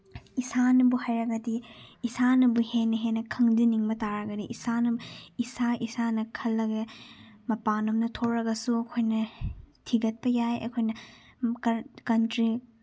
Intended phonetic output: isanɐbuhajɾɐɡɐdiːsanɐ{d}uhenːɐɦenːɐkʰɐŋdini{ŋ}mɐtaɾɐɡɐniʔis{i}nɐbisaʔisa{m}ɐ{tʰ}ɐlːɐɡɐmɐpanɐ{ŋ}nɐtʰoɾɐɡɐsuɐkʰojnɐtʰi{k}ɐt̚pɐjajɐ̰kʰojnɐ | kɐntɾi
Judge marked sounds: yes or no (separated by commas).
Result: no, yes, no, no, no, no, no